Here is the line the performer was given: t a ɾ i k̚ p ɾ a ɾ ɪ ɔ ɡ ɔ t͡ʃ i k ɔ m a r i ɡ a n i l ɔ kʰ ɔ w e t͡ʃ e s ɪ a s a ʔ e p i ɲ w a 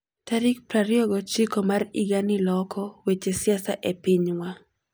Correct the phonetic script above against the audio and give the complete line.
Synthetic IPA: t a ɾ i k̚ p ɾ a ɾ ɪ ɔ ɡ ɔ t͡ʃ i k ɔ m a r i ɡ a n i l ɔ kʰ ɔ w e t͡ʃ e s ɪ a s a ʔ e p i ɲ w a